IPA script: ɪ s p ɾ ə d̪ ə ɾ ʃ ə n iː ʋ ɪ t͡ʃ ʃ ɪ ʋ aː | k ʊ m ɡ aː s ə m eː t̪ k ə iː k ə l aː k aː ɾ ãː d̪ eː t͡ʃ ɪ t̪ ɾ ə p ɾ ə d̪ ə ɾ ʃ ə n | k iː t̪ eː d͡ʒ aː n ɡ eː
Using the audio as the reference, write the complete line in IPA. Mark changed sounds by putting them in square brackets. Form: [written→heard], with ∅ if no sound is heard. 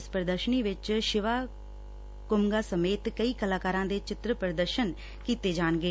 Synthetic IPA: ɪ s p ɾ ə d̪ ə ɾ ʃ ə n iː ʋ ɪ t͡ʃ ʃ ɪ ʋ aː | k ʊ m ɡ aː s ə m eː t̪ k ə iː k ə l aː k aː ɾ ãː d̪ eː t͡ʃ ɪ t̪ ɾ ə p ɾ ə d̪ ə ɾ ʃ ə n | k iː t̪ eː d͡ʒ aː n ɡ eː